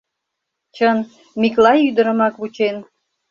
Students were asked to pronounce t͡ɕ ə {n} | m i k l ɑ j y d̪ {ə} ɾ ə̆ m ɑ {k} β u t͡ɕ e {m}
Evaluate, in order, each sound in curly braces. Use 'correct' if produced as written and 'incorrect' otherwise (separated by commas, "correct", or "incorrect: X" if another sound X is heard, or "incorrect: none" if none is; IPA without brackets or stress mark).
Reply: correct, correct, correct, incorrect: n